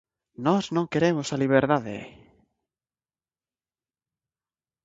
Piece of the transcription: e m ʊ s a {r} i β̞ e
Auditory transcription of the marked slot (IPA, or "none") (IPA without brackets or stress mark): l